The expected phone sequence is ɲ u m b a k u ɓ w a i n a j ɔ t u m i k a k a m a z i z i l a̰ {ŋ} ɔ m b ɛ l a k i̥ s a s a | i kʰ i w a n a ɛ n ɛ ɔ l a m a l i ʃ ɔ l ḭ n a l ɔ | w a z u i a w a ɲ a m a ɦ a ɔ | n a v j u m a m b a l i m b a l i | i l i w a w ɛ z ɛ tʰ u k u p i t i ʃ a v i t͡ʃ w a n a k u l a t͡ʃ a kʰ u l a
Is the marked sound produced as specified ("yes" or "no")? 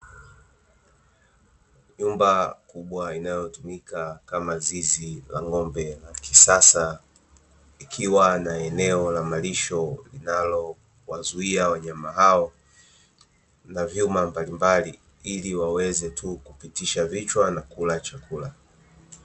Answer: yes